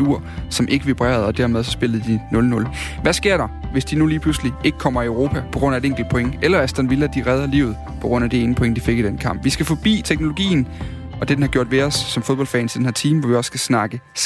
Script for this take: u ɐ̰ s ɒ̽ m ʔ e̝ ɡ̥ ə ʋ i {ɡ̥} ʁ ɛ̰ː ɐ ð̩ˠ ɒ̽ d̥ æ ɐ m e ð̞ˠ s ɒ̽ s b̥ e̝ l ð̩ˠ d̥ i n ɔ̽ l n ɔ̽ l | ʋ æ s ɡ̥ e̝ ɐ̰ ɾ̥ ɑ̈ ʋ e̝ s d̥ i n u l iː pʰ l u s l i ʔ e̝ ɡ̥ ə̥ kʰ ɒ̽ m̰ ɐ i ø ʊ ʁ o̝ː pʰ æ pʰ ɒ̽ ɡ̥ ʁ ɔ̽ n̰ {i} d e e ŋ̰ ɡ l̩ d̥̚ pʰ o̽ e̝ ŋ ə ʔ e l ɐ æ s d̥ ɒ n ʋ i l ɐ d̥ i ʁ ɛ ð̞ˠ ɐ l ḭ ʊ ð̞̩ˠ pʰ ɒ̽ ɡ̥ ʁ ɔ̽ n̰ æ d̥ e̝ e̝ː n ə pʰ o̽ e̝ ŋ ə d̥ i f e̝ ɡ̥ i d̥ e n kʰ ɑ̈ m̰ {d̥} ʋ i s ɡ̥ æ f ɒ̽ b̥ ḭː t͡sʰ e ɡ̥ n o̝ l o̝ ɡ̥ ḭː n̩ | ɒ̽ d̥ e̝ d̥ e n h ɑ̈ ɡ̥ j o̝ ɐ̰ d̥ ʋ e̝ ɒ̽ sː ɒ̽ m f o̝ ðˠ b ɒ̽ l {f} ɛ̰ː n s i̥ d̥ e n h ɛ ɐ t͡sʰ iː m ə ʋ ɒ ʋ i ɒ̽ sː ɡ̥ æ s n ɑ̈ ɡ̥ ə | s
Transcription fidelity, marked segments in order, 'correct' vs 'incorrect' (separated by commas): incorrect, incorrect, incorrect, correct